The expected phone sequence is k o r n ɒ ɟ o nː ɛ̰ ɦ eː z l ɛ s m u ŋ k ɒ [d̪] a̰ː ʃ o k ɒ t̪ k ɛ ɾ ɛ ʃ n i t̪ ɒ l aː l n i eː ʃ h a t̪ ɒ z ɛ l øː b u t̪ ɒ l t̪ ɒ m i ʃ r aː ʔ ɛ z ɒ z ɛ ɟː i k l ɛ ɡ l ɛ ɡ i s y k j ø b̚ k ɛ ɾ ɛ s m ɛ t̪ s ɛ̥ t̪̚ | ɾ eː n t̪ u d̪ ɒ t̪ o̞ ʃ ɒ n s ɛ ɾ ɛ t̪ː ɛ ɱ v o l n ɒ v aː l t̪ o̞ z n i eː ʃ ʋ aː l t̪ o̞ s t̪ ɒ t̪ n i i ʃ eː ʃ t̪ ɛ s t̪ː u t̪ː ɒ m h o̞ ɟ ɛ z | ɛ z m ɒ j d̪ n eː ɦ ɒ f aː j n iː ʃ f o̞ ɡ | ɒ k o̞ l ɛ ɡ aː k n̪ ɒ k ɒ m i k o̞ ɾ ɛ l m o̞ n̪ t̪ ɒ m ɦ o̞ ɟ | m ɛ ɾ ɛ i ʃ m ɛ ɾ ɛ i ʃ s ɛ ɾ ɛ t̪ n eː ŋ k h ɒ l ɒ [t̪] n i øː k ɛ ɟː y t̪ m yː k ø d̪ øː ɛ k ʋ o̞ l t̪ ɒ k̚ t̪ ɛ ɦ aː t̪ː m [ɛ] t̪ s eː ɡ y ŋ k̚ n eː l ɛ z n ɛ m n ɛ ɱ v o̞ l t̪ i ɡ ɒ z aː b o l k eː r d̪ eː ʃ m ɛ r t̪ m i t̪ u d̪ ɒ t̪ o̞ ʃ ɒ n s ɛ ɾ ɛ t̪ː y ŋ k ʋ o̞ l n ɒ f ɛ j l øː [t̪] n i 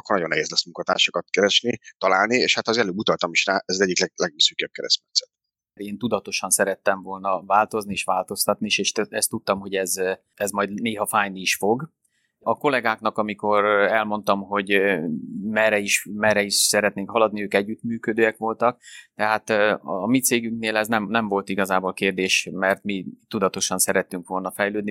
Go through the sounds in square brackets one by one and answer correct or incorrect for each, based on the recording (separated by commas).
incorrect, incorrect, incorrect, incorrect